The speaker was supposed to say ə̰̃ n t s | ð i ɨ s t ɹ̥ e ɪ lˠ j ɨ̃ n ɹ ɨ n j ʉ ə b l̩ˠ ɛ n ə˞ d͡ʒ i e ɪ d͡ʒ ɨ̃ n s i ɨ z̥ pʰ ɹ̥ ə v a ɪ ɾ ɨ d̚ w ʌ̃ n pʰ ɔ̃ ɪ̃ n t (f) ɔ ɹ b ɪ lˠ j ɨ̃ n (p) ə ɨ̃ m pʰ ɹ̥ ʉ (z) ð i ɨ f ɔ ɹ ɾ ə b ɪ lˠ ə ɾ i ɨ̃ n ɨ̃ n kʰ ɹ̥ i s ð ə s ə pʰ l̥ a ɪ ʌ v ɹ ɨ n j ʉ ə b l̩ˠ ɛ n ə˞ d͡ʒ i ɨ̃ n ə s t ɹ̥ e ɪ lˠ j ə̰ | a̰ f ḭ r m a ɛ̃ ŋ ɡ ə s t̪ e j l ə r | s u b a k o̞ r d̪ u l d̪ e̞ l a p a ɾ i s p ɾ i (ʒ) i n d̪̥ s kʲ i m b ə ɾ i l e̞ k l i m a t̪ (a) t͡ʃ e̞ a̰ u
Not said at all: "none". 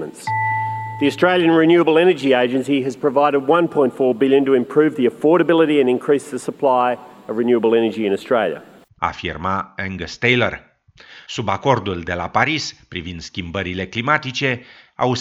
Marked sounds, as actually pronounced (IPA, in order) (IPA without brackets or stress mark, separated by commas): f, t, v, v, i